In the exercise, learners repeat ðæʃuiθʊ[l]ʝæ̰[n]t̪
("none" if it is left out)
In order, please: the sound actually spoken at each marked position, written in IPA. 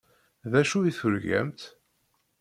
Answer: ɾ, m

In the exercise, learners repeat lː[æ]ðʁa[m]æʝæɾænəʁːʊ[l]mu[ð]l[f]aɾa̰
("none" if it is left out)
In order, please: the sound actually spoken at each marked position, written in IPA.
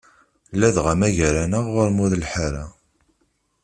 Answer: æ, m, ɾ, ð, ħ

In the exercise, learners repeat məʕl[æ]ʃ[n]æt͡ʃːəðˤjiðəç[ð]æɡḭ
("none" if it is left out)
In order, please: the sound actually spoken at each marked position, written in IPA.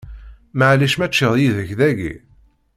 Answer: i, m, ð

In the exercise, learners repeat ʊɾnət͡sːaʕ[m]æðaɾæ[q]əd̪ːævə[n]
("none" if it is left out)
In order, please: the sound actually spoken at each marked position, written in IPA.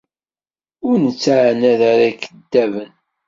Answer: n, k, n

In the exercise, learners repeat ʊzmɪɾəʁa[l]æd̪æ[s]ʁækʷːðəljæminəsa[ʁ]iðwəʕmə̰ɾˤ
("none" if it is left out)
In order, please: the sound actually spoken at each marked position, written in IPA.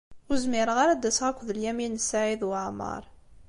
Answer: ɾ, s, ʕ

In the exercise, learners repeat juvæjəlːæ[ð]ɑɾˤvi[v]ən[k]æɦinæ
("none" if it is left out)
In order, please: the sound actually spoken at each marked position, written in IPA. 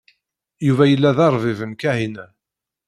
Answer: ð, v, k

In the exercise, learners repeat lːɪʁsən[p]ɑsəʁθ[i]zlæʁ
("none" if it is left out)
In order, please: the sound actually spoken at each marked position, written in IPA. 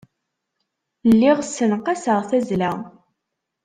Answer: q, æ

